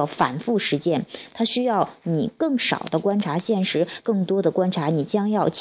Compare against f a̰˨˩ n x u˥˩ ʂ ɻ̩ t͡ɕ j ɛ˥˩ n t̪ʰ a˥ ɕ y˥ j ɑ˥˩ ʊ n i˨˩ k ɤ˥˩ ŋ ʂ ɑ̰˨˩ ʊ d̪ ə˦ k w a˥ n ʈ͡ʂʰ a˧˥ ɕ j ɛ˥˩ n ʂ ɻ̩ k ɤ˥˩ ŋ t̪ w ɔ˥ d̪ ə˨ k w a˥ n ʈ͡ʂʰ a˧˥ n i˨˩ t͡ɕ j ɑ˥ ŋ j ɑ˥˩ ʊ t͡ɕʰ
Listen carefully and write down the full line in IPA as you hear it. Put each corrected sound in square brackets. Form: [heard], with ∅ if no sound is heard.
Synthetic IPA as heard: f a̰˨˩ n [f] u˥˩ ʂ ɻ̩ t͡ɕ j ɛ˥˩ n t̪ʰ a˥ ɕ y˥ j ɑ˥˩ ʊ n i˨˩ k ɤ˥˩ ŋ ʂ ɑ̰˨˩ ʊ d̪ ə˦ k w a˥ n ʈ͡ʂʰ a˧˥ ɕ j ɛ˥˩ n ʂ ɻ̩ k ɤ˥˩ ŋ t̪ w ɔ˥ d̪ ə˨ k w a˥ n ʈ͡ʂʰ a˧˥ n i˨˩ t͡ɕ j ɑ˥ ŋ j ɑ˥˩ ʊ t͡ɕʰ